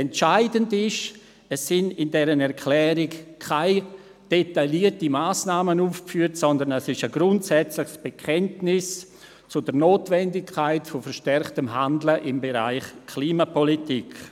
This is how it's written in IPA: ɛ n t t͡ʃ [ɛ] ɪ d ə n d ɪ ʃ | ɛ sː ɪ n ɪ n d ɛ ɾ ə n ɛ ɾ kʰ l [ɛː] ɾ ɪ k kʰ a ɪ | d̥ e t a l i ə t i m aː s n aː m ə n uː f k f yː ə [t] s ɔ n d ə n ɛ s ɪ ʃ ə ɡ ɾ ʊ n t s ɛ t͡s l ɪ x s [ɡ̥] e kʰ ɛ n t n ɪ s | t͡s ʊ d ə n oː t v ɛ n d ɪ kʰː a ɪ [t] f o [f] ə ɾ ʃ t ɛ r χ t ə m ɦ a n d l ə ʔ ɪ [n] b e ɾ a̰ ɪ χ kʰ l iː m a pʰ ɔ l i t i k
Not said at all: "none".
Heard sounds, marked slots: a, ɛː, t, b̥, t, f, m

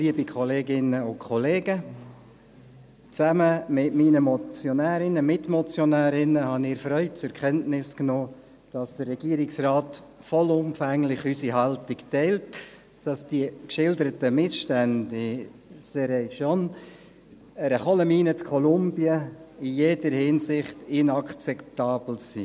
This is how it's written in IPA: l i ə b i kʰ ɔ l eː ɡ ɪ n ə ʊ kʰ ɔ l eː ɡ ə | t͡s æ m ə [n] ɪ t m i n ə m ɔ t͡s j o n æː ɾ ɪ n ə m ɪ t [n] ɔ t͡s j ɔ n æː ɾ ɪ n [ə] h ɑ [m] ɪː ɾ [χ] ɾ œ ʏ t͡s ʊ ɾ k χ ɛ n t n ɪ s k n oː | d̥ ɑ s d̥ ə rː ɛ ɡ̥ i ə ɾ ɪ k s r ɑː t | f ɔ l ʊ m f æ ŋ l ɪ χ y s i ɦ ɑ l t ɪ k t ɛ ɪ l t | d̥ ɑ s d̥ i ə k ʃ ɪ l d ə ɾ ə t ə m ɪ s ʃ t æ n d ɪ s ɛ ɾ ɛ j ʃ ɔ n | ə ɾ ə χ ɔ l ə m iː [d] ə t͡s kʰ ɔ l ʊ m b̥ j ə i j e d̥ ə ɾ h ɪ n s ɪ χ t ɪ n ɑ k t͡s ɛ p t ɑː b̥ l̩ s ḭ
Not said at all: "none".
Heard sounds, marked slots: m, m, ə, n, f, n

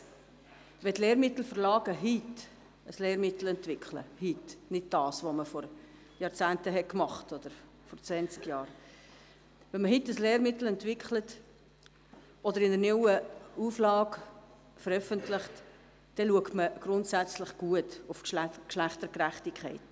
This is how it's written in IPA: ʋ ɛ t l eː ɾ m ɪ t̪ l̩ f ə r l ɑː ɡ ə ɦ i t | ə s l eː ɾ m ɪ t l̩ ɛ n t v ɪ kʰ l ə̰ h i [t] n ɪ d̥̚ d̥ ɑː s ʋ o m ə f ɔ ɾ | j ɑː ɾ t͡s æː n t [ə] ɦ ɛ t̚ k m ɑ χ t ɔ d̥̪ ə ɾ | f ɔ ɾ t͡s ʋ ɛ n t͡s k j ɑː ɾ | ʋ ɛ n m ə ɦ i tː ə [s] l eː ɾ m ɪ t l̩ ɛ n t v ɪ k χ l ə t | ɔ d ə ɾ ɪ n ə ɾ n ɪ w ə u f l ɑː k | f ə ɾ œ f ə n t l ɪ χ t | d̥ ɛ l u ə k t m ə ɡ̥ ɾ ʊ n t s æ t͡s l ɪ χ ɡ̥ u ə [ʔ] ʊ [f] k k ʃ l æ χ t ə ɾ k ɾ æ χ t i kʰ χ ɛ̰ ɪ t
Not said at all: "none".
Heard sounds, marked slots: t, ə, s, t, f

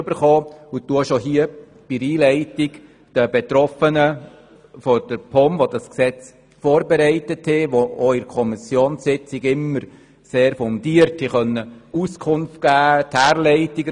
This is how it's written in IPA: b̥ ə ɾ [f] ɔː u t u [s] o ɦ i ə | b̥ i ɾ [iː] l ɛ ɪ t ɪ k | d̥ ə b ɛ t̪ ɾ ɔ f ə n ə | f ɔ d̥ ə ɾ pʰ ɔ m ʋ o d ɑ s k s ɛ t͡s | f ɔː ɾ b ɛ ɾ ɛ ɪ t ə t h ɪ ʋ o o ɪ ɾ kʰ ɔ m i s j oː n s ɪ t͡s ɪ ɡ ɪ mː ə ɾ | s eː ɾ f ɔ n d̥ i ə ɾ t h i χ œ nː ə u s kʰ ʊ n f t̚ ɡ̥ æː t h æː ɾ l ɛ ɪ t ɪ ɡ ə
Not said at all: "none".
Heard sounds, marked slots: χ, ʃ, iː

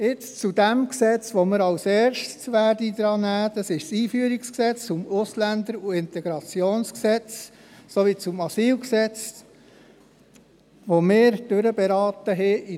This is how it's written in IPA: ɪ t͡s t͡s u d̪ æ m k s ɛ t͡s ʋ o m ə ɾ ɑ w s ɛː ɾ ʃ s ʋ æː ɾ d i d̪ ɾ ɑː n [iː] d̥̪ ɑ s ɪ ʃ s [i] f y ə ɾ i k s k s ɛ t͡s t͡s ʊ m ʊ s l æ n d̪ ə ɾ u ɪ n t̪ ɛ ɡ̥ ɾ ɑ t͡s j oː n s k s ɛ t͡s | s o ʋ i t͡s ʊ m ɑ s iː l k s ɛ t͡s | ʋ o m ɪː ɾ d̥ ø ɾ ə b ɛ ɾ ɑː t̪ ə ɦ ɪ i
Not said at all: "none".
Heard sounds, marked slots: æː, iː

